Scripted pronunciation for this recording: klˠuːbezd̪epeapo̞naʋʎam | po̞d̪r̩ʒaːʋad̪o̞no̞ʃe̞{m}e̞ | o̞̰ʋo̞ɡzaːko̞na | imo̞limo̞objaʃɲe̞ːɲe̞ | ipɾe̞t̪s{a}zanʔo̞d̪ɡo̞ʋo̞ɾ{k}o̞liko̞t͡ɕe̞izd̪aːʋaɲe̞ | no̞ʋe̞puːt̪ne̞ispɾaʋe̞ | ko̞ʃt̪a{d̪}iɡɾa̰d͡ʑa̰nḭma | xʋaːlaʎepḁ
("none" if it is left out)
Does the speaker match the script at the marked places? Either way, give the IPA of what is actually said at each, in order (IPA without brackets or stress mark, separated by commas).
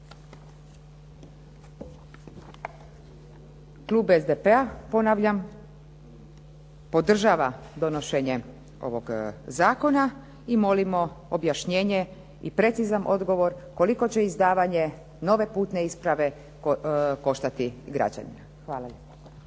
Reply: ɲ, i, k, t̪